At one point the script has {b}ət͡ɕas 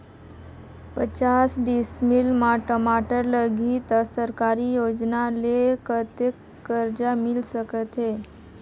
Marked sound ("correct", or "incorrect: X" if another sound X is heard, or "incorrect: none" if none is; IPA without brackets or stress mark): incorrect: p